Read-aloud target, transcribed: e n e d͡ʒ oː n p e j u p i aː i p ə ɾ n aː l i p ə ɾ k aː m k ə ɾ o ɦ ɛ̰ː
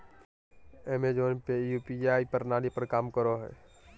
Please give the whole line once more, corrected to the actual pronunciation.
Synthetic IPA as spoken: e m e d͡ʒ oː n p e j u p i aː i p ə ɾ n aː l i p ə ɾ k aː m k ə ɾ o ɦ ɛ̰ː